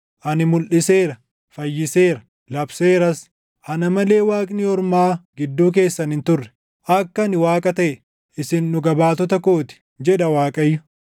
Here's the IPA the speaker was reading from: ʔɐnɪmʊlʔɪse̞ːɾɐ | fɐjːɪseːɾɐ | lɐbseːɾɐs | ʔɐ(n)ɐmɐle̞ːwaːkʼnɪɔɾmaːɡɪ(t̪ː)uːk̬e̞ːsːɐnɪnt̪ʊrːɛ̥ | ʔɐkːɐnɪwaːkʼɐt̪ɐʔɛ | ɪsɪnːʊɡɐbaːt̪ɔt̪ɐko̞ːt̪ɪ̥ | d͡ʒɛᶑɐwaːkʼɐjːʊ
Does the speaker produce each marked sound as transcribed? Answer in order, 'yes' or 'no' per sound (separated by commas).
yes, no